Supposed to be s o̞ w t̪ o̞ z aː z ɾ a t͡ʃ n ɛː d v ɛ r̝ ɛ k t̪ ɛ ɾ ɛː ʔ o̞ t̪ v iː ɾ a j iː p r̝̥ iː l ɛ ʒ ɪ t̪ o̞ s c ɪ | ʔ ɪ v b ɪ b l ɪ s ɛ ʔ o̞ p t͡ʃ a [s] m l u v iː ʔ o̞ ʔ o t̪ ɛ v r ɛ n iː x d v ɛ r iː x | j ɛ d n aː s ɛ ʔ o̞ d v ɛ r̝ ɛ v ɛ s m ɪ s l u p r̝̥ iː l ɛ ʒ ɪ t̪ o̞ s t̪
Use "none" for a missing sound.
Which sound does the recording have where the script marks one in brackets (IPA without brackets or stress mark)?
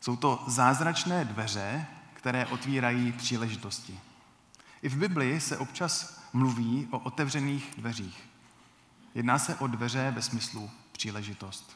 s